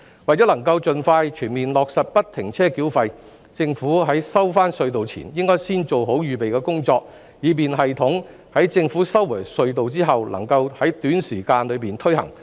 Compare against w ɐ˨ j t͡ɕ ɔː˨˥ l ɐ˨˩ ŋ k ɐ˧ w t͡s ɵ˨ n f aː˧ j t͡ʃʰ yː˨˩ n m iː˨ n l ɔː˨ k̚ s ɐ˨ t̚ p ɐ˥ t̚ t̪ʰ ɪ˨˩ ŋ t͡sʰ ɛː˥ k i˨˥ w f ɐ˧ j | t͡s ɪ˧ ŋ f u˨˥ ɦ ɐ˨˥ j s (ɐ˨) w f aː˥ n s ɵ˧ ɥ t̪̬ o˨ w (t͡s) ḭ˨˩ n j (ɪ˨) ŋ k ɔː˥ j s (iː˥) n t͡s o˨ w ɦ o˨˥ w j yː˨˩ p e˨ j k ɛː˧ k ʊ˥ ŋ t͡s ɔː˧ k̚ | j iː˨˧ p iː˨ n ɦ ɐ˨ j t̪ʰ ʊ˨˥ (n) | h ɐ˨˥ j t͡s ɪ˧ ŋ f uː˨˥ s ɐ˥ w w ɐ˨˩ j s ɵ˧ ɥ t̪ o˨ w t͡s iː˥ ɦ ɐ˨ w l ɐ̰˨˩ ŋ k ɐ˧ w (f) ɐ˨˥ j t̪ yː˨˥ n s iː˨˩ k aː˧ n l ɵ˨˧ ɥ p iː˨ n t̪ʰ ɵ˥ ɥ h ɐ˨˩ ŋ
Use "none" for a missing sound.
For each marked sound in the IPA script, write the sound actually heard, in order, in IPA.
ɐ˥, t͡sʰ, ɪ˥, iː˥, ŋ, h

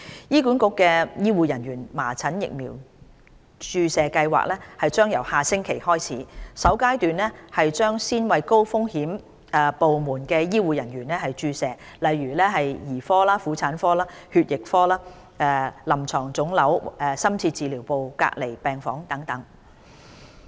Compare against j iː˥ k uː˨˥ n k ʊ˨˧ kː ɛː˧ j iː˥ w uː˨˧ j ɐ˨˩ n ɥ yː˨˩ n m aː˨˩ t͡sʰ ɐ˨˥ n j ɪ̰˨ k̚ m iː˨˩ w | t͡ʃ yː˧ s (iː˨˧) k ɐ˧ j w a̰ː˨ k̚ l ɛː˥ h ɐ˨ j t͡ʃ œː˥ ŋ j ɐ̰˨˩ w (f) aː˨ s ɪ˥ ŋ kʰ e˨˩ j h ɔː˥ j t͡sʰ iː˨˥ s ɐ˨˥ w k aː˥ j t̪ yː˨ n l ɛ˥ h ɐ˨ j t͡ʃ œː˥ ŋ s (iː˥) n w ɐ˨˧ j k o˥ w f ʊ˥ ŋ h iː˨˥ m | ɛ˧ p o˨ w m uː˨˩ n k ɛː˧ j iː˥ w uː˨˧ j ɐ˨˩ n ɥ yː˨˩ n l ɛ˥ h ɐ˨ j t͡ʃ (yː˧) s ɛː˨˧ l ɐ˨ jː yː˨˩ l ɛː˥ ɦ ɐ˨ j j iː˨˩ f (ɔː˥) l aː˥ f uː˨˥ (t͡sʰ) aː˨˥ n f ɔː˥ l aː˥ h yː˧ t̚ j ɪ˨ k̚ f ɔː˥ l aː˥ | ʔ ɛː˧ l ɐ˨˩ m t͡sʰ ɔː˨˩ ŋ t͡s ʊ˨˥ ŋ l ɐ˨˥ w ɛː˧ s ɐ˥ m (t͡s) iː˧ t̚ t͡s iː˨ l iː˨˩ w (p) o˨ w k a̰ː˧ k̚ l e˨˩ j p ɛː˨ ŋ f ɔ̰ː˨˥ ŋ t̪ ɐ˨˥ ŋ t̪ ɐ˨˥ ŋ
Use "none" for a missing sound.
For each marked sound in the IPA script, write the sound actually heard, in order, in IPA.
ɛː˨˧, h, iː˥, yː˧, ɔː˥, t͡sʰ, t͡sʰ, p

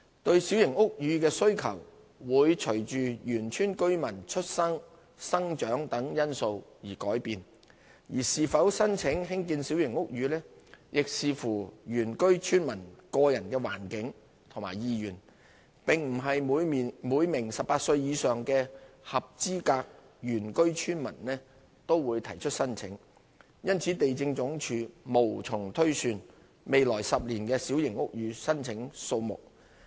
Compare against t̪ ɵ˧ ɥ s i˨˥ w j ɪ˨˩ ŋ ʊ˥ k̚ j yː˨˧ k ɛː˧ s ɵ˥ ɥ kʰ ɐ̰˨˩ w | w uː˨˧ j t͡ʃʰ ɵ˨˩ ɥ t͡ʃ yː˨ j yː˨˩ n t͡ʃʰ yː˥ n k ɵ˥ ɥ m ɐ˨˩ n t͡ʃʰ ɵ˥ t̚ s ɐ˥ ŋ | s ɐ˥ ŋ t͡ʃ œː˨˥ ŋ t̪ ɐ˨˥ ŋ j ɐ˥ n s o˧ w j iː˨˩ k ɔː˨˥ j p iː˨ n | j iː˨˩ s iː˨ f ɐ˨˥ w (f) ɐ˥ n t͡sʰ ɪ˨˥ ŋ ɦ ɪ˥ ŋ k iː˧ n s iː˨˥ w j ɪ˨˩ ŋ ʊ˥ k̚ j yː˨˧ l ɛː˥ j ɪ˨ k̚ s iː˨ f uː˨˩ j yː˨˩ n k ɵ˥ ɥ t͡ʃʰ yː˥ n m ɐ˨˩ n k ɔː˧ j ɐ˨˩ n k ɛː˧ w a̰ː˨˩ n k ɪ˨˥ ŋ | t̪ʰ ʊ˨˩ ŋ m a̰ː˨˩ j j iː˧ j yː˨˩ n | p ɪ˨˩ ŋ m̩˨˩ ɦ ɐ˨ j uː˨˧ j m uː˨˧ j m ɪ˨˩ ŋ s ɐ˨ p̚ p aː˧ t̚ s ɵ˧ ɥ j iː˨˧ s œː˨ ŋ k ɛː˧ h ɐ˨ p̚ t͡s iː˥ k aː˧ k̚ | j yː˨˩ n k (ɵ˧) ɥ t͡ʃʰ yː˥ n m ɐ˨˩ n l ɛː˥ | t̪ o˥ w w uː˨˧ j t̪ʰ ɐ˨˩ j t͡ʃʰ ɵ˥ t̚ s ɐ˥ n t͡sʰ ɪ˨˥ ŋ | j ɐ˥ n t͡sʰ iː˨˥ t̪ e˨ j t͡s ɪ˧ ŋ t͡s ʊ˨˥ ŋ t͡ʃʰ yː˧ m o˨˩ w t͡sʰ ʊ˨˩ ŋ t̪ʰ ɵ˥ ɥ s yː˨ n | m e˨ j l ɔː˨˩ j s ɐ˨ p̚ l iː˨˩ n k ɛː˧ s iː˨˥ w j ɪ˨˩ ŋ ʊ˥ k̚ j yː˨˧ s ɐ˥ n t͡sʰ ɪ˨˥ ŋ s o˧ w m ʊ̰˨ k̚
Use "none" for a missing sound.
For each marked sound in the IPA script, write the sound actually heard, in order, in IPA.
s, ɵ˥

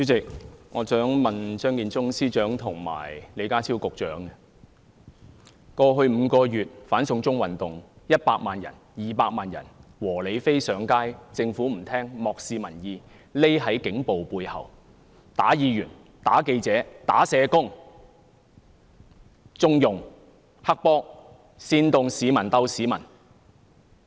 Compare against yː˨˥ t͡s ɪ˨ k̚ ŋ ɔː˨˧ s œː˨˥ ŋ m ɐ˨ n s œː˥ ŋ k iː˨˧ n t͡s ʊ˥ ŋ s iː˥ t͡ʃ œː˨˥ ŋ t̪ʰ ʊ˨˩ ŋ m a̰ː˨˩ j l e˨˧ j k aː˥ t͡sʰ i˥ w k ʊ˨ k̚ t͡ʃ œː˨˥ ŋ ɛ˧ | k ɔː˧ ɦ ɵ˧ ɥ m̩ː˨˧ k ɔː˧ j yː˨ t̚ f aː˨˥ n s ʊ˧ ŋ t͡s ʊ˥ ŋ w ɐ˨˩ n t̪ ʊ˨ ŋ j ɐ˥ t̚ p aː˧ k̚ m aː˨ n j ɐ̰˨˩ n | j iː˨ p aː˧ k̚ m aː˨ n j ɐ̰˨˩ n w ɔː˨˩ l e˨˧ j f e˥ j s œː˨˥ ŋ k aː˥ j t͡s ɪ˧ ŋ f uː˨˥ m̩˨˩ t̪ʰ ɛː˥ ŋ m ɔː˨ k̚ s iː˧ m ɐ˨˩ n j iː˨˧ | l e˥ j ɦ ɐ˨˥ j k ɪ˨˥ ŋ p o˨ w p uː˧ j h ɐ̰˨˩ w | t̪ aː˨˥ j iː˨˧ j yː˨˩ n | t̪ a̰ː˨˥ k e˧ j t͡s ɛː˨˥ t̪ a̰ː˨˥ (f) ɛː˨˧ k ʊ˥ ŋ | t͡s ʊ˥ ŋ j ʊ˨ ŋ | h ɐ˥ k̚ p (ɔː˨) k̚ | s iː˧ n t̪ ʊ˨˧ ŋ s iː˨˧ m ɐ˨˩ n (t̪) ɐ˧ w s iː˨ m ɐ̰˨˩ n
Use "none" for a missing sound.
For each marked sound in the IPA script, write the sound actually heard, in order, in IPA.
s, ɔː˥, t̪

